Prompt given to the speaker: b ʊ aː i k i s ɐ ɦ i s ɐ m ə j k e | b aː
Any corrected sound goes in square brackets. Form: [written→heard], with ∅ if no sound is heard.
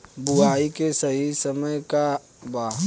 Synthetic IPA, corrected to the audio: b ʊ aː i k [i→e] s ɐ ɦ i s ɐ m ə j k [e→a] | b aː